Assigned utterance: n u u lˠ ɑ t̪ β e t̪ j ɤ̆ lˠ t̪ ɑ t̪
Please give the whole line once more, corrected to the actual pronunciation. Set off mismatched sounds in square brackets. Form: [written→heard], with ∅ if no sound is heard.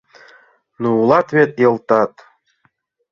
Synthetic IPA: n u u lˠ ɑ t̪ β e t̪ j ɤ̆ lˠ t̪ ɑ t̪